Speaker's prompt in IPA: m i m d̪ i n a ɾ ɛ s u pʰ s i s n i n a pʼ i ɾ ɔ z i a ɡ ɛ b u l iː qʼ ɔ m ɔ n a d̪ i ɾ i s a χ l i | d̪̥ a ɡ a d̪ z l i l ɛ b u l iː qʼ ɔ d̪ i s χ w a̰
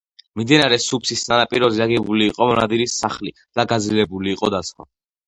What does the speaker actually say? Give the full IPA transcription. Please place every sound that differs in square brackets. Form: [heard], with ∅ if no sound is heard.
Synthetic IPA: m i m d̪ i n a ɾ ɛ s u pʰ s i s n [a] n a pʼ i ɾ ɔ z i a ɡ ɛ b u l iː qʼ ɔ m ɔ n a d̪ i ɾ i s a χ l i | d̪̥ a ɡ a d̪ z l i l ɛ b u l iː qʼ ɔ d̪ [a] s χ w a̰